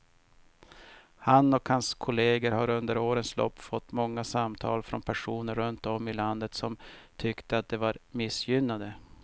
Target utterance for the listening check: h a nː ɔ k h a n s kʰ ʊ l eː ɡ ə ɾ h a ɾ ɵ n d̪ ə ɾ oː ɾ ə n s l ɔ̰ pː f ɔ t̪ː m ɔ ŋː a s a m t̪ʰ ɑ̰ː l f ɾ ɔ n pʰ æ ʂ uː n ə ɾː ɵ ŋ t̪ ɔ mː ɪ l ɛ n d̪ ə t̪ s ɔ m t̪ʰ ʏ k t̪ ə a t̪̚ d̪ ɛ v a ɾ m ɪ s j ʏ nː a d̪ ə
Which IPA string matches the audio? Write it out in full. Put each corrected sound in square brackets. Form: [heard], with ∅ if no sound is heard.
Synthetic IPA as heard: h a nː ɔ k h a n s kʰ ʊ l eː ɡ ə ɾ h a ɾ ɵ n d̪ ə ɾ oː ɾ ə n s l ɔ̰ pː f ɔ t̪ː m ɔ ŋː a s a m t̪ʰ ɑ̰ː l f ɾ ɔ n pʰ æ ʂ uː n ə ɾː ɵ [n] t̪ ɔ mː ɪ l [a] n d̪ ə t̪ s ɔ m t̪ʰ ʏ k t̪ ə a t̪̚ d̪ ɛ v a ɾ m ɪ s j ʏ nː a d̪ ə